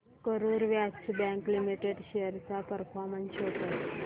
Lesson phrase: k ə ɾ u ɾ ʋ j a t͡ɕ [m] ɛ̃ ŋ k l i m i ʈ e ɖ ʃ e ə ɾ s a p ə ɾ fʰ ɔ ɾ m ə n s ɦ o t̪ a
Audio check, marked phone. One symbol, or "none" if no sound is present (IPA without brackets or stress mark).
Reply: b